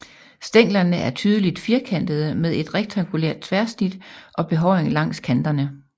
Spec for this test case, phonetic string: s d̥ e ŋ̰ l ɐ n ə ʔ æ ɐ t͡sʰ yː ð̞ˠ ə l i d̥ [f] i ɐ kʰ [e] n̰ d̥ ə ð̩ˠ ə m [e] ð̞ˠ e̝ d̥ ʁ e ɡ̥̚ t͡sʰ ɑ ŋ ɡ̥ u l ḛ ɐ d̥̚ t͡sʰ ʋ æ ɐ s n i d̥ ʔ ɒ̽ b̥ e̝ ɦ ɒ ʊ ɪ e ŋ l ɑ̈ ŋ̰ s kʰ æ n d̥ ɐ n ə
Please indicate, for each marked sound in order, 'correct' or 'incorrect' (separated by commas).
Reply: correct, incorrect, correct